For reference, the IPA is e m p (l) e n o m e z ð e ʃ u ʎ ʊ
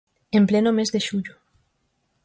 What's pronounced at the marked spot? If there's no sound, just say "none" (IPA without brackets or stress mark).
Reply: l